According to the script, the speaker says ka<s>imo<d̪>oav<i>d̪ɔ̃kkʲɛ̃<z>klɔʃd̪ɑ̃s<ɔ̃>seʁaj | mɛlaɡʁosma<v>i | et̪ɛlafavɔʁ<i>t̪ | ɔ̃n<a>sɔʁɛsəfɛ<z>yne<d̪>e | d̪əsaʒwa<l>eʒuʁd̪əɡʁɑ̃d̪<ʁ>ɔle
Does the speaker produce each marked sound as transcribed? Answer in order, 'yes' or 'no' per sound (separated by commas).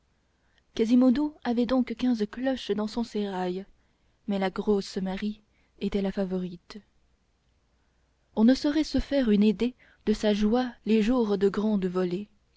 no, yes, no, yes, yes, no, yes, no, no, yes, yes, no